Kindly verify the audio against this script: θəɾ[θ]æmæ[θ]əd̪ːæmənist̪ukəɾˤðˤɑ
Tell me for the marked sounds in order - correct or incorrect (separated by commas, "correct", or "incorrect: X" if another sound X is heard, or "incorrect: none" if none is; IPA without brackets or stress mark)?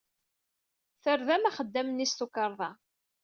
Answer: incorrect: ð, incorrect: χ